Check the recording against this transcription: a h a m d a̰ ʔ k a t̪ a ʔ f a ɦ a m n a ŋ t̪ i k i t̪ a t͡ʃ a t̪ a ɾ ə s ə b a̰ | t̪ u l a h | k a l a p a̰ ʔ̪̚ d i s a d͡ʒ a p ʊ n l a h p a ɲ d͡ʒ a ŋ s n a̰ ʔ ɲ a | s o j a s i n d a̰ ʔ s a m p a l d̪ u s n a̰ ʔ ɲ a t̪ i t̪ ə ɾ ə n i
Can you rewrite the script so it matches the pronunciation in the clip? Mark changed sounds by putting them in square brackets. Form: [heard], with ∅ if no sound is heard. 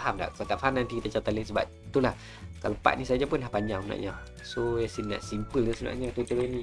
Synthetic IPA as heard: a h a m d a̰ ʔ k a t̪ a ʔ f a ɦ a m n a [n] t̪ i k i t̪ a t͡ʃ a t̪ a [l] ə s ə b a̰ | t̪ u l a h | k a l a p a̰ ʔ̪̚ [n] i s a d͡ʒ a p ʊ n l a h p a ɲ d͡ʒ a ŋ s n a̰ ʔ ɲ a | s o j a s i n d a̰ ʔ s [i] m p [ə] l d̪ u s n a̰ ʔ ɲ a t̪ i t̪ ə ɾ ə n i